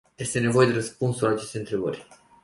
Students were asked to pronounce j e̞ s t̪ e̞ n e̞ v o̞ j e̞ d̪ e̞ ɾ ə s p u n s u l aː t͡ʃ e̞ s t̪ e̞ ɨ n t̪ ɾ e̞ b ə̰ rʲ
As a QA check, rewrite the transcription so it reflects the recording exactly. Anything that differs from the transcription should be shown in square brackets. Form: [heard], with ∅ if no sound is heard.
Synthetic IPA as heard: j e̞ s t̪ e̞ n e̞ v o̞ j e̞ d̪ e̞ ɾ ə s p u n s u l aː t͡ʃ e̞ s t̪ e̞ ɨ n t̪ ɾ e̞ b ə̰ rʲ